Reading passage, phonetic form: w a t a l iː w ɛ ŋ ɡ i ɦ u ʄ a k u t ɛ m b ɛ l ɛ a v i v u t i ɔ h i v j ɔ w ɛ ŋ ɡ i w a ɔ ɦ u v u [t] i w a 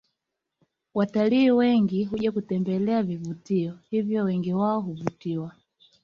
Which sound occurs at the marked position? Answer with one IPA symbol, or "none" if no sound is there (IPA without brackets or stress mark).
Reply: t